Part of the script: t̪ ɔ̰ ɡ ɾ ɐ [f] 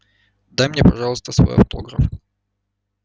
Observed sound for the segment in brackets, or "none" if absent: f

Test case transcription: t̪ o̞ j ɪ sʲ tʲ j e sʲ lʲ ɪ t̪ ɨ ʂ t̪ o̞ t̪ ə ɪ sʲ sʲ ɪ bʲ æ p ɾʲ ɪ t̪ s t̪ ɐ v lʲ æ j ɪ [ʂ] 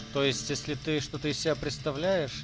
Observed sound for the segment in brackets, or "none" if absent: ʂ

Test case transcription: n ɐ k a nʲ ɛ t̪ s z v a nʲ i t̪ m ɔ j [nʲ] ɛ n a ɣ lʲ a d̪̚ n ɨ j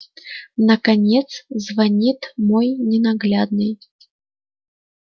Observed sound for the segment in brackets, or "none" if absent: nʲ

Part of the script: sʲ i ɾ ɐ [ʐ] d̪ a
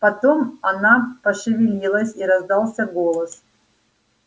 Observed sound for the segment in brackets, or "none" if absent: z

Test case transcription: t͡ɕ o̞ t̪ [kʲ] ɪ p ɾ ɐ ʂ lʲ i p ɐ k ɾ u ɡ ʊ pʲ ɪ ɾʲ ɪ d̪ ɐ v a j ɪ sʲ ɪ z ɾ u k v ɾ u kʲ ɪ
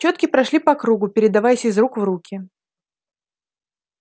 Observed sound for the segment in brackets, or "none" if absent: kʲ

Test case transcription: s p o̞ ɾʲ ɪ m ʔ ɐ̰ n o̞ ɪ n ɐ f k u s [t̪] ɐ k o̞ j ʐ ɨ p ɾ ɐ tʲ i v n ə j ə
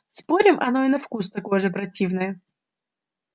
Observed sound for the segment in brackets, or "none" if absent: t̪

